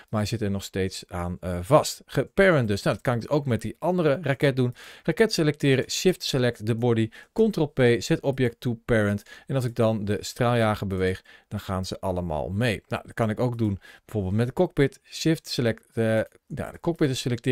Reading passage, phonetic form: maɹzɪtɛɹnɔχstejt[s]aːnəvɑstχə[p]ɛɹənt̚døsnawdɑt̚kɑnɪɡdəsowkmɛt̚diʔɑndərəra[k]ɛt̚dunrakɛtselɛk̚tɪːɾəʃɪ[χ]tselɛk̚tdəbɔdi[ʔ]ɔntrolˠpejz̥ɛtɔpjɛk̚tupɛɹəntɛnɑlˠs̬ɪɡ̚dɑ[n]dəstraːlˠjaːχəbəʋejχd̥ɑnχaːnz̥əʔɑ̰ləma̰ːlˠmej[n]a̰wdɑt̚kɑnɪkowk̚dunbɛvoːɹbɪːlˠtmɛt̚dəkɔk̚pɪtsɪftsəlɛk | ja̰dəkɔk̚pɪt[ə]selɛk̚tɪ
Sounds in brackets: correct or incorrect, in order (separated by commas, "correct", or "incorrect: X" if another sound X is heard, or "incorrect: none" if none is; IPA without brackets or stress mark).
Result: correct, correct, correct, incorrect: f, incorrect: k, correct, correct, correct